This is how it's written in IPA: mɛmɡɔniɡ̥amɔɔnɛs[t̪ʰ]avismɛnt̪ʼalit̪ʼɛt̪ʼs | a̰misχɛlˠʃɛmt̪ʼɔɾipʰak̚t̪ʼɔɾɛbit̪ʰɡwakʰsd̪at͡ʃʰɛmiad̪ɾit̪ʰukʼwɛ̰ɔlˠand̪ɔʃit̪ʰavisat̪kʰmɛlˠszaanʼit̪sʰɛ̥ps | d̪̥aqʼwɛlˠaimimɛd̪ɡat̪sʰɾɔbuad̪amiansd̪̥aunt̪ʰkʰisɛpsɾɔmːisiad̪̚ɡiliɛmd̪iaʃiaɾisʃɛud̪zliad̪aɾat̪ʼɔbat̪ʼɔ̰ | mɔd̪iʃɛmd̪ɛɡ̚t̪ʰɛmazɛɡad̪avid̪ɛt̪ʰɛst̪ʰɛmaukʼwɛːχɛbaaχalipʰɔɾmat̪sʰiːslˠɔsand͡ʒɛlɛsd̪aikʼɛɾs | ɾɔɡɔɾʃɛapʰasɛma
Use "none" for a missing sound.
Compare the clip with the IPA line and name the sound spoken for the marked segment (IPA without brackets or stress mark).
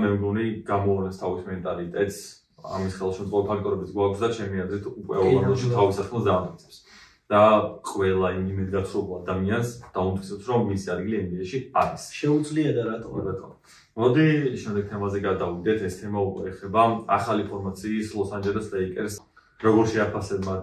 t̪ʰ